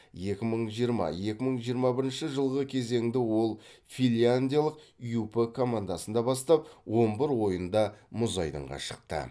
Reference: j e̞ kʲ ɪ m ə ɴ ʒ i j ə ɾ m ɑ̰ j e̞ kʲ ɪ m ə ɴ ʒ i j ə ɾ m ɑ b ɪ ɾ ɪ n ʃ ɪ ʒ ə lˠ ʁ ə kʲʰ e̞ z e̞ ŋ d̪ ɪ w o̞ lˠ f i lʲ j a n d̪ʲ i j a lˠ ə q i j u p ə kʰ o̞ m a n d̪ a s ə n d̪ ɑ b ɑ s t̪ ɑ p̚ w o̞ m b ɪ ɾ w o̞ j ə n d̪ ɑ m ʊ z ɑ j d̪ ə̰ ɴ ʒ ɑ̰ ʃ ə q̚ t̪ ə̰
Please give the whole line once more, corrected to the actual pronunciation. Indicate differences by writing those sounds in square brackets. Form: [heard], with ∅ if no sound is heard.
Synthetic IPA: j e̞ kʲ ɪ m ə ɴ ʒ i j ə ɾ m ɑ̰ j e̞ kʲ ɪ m ə ɴ ʒ i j ə ɾ m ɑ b ɪ ɾ ɪ n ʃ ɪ ʒ ə lˠ ʁ ə kʲʰ e̞ z e̞ ŋ d̪ ɪ w o̞ lˠ f i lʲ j a n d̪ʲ i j a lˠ ə q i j u p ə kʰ o̞ m a n d̪ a s ə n d̪ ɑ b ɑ s t̪ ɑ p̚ w o̞ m b ɪ ɾ w o̞ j ə n d̪ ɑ m ʊ z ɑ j d̪ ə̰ ɴ [ʁ] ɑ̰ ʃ ə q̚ t̪ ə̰